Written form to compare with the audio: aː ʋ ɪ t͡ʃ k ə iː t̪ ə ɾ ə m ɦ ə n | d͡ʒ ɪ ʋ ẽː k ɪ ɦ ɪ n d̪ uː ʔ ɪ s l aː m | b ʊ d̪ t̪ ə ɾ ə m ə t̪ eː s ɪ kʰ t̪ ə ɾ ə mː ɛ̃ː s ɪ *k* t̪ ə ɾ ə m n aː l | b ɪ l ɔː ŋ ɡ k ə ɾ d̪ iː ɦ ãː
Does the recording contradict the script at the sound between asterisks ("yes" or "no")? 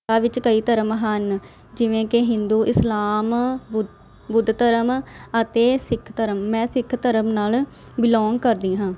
yes